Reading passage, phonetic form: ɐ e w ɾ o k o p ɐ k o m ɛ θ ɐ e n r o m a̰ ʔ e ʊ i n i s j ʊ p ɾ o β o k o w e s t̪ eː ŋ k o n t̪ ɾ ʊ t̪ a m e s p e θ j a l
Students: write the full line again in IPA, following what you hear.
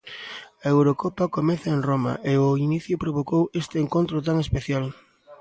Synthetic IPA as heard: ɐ e w ɾ o k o p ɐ k o m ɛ θ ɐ e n r o m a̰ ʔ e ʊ i n i θ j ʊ p ɾ o β o k o w e s t̪ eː ŋ k o n t̪ ɾ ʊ t̪ a ŋ e s p e θ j a l